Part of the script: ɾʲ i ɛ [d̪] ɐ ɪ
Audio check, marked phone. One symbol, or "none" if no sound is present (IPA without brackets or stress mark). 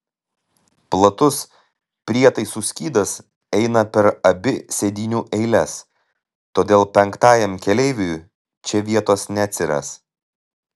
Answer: t̪